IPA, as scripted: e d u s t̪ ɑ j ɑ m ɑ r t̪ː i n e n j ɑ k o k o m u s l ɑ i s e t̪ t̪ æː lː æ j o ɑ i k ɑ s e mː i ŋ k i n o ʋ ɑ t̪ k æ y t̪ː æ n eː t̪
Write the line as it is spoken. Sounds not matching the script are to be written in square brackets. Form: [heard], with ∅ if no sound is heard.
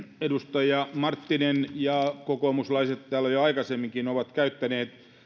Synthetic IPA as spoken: e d u s t̪ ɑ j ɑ m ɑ r t̪ː i n e n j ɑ k o k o m u s l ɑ i s e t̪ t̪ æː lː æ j o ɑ i k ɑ s e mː i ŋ k i n o ʋ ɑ t̪ k æ y t̪ː æ n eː t̪